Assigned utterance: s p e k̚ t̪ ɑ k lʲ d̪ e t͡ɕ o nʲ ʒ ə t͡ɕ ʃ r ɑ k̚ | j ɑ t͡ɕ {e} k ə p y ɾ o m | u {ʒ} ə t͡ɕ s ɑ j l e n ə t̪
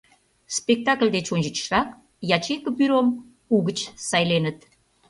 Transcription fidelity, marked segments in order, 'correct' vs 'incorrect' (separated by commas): correct, incorrect